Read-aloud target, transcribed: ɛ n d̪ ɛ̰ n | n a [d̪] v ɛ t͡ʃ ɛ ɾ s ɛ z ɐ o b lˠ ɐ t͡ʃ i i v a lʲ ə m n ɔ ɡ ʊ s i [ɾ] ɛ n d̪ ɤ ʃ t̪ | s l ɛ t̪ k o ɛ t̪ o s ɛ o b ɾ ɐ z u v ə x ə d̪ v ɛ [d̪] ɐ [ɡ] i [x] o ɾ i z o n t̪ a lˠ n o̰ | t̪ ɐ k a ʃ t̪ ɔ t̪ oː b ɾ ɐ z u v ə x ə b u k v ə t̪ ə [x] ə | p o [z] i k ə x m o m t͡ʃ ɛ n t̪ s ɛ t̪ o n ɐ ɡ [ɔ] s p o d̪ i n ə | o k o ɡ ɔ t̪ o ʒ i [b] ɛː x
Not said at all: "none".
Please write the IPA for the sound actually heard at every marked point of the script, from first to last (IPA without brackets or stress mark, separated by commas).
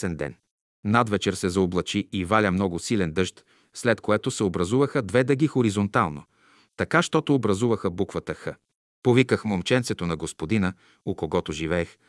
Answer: d̪, l, d̪, ɡ, x, x, v, o, v